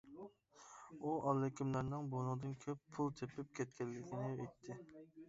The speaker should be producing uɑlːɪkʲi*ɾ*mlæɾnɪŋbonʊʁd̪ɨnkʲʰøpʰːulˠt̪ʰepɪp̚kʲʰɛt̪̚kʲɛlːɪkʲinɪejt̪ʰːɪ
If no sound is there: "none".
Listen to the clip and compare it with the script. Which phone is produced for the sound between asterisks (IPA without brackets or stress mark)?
none